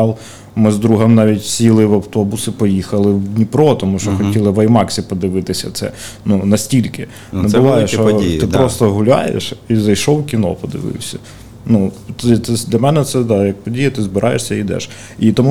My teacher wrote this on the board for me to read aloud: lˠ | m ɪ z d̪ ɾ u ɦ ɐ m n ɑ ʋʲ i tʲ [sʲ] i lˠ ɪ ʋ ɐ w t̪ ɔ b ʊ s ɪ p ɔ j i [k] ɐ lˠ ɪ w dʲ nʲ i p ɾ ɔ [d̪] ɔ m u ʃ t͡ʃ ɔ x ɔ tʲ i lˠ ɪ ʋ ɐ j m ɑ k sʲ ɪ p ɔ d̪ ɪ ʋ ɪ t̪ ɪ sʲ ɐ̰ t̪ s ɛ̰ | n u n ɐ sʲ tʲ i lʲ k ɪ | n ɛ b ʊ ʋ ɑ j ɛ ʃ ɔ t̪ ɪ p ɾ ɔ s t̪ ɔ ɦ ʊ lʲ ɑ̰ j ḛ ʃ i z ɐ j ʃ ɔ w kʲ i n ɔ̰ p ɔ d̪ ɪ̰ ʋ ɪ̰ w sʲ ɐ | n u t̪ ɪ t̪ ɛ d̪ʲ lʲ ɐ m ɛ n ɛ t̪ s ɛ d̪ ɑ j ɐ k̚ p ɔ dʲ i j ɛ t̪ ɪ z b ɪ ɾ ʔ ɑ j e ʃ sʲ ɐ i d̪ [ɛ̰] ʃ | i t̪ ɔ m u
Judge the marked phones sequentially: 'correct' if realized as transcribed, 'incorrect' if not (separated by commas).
correct, incorrect, incorrect, correct